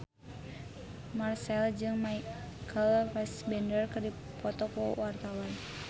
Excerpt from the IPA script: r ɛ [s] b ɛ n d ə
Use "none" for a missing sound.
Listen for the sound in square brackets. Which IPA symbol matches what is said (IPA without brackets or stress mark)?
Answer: s